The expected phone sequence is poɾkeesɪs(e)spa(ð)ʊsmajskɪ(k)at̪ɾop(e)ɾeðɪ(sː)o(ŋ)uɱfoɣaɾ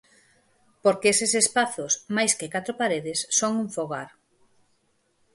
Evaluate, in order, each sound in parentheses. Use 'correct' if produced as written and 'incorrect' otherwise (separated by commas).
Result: correct, incorrect, correct, incorrect, correct, correct